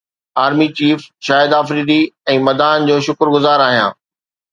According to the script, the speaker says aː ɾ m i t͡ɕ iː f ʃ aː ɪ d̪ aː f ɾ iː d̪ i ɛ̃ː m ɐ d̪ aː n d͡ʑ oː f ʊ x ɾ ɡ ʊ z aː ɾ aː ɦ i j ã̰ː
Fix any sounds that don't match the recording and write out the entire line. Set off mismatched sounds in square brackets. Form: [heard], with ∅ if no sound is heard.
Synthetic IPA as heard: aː ɾ m i t͡ɕ iː f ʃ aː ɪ d̪ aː f ɾ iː d̪ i ɛ̃ː m ɐ d̪ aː n d͡ʑ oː [ʃ] ʊ [k] ɾ ɡ ʊ z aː ɾ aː ɦ i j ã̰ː